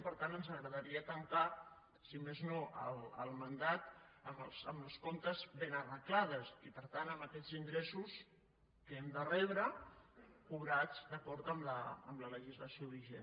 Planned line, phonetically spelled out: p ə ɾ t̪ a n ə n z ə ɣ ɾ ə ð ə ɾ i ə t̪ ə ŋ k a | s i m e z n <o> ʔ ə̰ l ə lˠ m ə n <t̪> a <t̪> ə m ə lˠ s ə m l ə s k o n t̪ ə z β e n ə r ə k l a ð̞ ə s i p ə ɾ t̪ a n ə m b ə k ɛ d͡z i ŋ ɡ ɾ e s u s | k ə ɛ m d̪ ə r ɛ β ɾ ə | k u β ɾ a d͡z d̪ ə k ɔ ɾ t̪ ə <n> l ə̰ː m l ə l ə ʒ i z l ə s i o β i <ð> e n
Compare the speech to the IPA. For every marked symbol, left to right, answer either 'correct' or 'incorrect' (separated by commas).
correct, incorrect, correct, incorrect, incorrect